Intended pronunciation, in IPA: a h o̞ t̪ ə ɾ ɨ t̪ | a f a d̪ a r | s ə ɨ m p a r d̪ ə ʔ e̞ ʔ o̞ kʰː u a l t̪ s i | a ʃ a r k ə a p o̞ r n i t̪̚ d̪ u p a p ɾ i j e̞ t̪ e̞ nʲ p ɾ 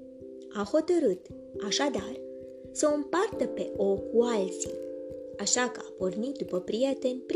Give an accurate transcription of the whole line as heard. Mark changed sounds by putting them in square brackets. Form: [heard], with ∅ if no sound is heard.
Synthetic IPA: a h o̞ t̪ ə ɾ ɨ t̪ | a [ʃ] a d̪ a r | s ə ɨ m p a r [t̪] ə [p] e̞ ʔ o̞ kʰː u a l t̪ s i | a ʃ a [∅] k ə a p o̞ r n i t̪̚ d̪ u p [ə] p ɾ i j e̞ t̪ e̞ nʲ p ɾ